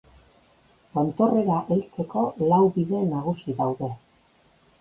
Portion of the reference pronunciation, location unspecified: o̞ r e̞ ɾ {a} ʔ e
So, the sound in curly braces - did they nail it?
yes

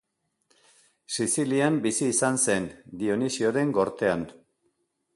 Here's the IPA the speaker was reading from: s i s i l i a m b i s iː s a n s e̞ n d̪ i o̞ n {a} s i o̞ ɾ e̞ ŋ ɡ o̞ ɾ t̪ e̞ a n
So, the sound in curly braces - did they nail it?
no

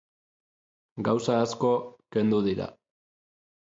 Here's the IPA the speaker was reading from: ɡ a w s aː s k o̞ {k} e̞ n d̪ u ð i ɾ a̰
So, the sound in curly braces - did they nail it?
yes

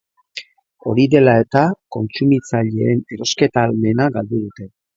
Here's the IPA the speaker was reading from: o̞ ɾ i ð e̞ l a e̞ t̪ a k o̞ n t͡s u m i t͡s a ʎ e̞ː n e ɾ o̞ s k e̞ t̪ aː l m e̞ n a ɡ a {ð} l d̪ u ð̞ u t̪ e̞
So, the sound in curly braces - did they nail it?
no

